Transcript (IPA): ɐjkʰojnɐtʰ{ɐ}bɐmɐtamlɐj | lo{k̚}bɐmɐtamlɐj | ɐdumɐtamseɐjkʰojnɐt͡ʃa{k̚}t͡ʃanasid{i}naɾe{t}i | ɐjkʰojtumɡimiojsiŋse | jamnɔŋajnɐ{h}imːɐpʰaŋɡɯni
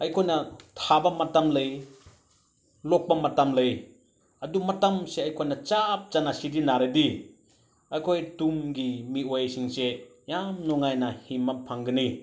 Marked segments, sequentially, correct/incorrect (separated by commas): incorrect, correct, incorrect, correct, incorrect, correct